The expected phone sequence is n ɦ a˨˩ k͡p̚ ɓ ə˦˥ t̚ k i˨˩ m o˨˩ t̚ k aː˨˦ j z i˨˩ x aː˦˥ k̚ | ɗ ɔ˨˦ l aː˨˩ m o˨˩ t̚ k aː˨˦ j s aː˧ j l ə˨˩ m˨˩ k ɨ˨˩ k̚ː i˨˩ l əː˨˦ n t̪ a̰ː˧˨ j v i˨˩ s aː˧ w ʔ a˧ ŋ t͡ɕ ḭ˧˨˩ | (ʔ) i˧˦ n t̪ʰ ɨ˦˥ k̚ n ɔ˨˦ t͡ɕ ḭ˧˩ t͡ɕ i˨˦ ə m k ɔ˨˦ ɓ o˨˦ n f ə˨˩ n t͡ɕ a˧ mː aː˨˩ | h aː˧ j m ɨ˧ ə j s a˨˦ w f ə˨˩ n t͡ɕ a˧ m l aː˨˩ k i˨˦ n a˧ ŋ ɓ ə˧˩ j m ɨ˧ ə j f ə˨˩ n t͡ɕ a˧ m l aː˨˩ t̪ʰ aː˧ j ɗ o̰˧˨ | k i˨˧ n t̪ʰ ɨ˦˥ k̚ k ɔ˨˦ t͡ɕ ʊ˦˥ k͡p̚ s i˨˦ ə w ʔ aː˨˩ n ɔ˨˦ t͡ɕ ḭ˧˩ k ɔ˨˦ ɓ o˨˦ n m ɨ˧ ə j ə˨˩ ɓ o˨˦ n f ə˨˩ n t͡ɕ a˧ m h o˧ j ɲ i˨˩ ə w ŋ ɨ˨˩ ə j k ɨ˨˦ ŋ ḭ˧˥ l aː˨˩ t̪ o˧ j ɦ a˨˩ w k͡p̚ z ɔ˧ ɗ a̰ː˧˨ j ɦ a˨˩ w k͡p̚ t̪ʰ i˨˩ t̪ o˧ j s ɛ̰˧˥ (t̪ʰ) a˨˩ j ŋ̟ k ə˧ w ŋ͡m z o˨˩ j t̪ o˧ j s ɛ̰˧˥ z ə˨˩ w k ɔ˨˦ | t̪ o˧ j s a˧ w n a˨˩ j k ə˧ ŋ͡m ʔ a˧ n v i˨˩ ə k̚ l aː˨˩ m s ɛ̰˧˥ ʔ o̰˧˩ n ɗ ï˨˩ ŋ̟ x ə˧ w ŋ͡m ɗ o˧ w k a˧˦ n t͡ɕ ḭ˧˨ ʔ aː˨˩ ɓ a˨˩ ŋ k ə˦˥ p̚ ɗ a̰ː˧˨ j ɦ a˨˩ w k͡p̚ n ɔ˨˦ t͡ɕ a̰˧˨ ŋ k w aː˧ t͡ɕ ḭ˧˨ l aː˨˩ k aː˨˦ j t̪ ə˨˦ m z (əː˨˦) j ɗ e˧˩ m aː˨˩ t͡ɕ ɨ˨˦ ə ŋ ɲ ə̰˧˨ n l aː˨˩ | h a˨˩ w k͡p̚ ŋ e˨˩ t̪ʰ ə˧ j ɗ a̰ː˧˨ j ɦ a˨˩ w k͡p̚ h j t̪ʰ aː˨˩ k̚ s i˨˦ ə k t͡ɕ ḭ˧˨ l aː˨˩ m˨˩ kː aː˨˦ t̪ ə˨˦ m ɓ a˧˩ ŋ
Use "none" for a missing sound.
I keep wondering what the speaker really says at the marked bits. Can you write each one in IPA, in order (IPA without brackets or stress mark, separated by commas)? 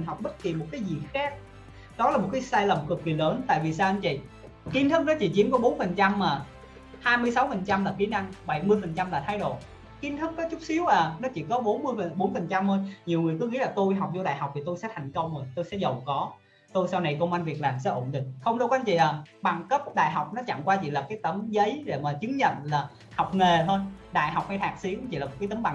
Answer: k, t̪ʰ, ə˨˦